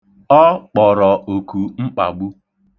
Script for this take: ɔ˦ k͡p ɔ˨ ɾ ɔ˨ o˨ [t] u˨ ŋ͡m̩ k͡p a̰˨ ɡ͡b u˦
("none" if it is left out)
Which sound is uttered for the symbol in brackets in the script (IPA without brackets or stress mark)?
k